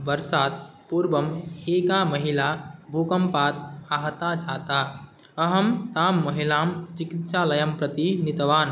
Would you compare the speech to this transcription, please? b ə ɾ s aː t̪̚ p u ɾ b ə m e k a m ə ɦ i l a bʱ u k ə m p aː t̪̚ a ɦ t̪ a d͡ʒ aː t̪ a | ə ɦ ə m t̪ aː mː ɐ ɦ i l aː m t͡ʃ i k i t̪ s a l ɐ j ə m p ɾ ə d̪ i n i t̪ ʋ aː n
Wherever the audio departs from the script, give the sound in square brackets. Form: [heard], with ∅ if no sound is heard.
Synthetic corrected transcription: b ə ɾ s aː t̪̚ p u ɾ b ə m e k a m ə ɦ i l a bʱ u k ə m p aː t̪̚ a ɦ t̪ a d͡ʒ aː t̪ a | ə ɦ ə m t̪ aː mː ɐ ɦ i l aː m t͡ʃ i k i t̪ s a l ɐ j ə m p ɾ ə [t̪] i n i t̪ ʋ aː n